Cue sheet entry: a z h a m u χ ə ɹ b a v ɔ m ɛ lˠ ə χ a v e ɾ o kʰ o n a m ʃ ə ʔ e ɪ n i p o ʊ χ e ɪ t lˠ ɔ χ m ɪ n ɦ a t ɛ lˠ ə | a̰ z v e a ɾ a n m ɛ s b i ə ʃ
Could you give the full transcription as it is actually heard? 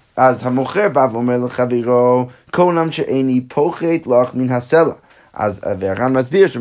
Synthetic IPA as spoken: a z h a m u χ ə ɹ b a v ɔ m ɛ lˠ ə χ a v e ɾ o kʰ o n a m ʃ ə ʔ e ɪ n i pʰ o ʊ χ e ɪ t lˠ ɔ χ m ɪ n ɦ a s ɛ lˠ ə | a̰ z v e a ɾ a n m a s b i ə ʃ